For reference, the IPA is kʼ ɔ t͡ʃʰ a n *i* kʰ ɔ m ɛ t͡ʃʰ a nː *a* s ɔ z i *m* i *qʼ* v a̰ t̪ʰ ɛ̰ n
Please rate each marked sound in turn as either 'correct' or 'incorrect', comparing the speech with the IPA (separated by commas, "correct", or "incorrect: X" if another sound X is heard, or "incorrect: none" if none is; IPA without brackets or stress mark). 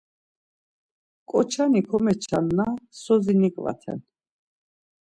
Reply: correct, correct, incorrect: n, incorrect: kʼ